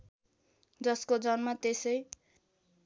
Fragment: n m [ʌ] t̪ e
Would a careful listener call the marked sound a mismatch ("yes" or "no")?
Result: yes